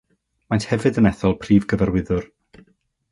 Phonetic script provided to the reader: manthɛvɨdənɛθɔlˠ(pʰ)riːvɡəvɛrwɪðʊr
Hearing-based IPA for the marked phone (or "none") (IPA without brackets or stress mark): pʰ